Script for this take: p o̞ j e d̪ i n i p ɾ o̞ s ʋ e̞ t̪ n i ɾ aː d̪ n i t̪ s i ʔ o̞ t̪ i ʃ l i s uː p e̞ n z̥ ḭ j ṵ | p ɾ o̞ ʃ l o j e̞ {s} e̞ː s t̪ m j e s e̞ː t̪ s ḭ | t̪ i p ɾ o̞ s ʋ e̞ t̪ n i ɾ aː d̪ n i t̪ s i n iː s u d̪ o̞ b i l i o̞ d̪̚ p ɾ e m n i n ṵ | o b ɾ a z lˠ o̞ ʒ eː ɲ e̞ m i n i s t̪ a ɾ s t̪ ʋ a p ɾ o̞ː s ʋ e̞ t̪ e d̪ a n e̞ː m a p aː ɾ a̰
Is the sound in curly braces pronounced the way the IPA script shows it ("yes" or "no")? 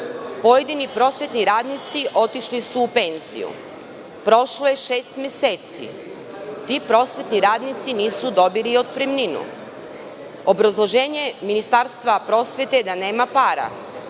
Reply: no